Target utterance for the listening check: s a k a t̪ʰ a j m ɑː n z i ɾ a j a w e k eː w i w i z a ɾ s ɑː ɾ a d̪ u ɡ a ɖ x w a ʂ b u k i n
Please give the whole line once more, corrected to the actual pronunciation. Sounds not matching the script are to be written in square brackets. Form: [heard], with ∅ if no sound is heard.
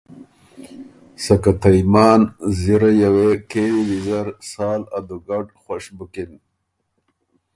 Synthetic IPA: s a k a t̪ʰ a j m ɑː n z i ɾ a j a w e k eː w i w i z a ɾ s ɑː [l] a d̪ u ɡ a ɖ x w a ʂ b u k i n